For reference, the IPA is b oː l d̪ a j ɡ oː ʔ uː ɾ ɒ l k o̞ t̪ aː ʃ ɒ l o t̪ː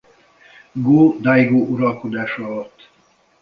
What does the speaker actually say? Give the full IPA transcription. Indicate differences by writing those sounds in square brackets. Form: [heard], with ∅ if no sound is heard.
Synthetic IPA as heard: [ɡ] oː [∅] d̪ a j ɡ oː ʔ [u] ɾ ɒ l k o̞ [d̪] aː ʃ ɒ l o t̪ː